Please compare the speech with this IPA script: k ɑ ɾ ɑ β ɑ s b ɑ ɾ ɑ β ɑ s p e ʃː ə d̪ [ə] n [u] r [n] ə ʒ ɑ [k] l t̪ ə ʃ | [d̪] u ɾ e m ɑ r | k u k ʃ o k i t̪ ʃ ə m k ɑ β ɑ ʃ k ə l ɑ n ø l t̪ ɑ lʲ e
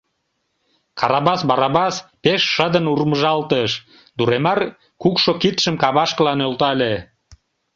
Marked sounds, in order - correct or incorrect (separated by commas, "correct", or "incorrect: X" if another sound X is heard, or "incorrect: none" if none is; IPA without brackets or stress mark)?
correct, correct, incorrect: m, incorrect: none, correct